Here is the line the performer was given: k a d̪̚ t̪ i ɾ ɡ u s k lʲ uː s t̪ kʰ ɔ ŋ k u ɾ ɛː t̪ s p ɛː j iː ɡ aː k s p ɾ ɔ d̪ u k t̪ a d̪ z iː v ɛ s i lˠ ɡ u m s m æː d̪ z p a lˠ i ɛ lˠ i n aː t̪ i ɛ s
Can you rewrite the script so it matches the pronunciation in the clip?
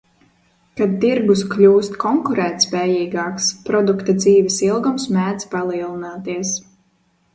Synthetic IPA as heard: k a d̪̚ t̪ i ɾ ɡ u s k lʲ uː s t̪ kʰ ɔ ŋ k u ɾ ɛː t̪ s p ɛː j iː ɡ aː k s p ɾ ɔ d̪ u k t̪ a d̪ z iː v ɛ s i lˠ ɡ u m s m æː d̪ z p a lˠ i ɛ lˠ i n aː t̪ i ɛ s